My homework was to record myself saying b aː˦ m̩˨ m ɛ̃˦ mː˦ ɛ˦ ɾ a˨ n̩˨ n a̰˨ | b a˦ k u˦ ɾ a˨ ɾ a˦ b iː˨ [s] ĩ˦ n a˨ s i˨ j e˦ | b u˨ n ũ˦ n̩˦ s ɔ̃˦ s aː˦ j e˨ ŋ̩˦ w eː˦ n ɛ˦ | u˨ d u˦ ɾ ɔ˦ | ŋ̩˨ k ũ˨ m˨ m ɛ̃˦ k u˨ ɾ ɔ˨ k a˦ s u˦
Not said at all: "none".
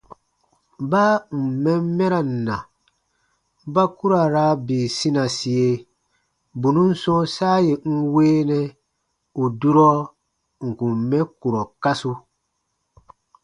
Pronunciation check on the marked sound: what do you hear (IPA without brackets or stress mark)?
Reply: s